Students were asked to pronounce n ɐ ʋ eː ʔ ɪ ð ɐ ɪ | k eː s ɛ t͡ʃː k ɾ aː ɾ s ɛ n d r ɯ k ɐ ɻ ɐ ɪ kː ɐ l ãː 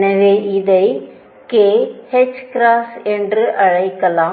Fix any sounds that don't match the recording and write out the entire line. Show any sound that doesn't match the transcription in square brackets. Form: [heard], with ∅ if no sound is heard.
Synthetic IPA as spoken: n ɐ ʋ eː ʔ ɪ ð ɐ ɪ | k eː [h] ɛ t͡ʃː k ɾ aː [∅] s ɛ n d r ɯ [ʔ] ɐ ɻ ɐ ɪ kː ɐ l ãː